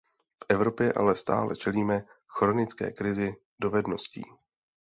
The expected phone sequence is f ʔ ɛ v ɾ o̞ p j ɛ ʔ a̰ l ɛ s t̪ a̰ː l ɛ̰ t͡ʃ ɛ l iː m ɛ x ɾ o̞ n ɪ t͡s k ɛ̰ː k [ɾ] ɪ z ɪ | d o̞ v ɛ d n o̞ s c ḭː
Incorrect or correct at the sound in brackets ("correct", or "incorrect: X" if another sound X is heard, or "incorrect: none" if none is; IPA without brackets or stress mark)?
correct